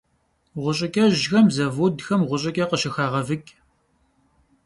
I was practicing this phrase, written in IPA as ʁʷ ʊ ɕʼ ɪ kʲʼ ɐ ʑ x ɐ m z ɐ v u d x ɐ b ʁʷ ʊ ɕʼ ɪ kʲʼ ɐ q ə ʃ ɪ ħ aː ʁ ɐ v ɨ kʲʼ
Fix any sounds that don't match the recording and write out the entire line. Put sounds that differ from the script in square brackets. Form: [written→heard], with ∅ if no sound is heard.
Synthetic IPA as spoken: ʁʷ ʊ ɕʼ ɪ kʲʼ ɐ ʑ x ɐ m z ɐ v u d x ɐ [b→m] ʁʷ ʊ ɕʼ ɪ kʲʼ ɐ q ə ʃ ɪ [ħ→x] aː ʁ ɐ v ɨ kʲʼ